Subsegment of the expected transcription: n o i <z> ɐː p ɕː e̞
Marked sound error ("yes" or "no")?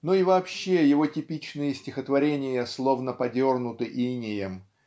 yes